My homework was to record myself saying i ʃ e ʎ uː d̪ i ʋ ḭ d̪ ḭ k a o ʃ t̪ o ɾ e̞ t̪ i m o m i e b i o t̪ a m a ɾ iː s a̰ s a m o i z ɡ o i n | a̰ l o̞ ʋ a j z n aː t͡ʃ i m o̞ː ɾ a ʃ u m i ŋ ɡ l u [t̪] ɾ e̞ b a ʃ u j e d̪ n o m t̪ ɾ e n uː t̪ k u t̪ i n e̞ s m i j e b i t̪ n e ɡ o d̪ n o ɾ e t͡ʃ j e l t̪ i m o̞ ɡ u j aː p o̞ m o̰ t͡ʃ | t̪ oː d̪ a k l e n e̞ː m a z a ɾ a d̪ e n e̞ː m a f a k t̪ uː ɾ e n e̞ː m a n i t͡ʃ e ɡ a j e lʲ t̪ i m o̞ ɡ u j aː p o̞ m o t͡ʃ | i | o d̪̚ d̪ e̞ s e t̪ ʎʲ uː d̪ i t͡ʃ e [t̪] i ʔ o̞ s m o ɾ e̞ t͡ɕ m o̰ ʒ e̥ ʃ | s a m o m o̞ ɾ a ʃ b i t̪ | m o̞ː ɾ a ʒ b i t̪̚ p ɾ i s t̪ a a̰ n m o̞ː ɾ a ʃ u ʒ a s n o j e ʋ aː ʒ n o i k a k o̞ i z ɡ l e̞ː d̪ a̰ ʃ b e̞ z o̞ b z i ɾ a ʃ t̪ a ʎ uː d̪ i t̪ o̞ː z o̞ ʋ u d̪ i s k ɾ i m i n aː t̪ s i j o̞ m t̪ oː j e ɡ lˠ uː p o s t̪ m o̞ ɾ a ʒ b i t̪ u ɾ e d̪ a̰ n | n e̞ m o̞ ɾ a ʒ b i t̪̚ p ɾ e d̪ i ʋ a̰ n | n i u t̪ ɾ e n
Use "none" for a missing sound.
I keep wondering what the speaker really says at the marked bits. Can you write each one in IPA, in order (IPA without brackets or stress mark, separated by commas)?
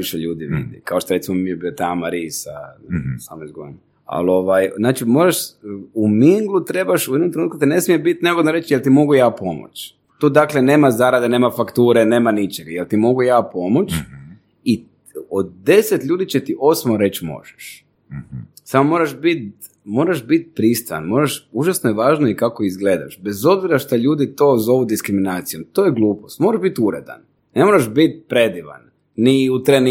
t̪, t̪